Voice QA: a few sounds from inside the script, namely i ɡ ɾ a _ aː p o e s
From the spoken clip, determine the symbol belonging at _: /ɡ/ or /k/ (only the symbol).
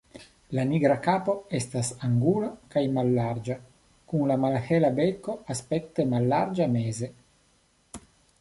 k